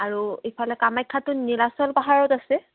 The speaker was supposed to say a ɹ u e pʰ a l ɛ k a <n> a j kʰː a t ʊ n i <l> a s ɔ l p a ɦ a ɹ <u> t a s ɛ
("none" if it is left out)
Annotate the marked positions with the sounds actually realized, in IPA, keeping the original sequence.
m, l, ɔ

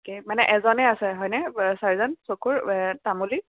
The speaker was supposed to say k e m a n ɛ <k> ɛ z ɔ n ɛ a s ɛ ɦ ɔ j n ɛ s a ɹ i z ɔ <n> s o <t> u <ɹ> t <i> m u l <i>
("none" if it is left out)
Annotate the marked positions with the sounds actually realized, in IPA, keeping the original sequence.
ʔ, n, k, ɹ, a, i

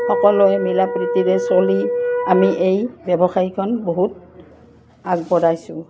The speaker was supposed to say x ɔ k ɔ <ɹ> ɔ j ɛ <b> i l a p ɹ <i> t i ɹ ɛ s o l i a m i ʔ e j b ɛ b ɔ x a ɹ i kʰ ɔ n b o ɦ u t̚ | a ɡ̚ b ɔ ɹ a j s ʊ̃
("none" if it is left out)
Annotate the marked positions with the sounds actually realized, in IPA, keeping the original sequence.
l, m, i

